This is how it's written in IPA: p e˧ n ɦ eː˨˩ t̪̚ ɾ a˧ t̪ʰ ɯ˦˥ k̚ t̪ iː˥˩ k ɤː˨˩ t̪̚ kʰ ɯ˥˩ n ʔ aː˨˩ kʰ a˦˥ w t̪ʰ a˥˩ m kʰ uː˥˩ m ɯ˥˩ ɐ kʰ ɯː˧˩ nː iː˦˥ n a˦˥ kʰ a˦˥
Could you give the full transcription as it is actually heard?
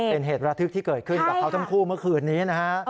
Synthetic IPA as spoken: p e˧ n ɦ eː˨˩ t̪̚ ɾ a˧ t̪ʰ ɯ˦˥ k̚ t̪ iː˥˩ k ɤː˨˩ t̪̚ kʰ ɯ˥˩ n k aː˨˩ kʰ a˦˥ w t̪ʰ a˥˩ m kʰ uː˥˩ m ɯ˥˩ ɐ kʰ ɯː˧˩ nː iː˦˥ n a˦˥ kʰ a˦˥